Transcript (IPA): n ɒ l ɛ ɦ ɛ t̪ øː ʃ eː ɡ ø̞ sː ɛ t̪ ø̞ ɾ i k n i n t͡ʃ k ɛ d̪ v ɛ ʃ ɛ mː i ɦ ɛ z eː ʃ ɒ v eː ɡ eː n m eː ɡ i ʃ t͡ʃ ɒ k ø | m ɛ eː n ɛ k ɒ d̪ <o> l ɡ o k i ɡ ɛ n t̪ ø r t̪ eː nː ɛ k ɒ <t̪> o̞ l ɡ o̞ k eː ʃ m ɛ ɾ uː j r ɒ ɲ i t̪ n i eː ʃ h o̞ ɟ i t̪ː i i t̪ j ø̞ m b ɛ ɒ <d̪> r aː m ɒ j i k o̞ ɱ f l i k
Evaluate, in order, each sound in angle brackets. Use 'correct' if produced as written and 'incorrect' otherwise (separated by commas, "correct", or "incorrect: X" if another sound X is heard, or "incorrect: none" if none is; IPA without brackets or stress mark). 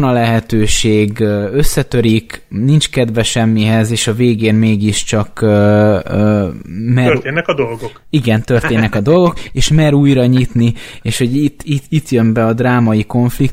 correct, incorrect: d̪, correct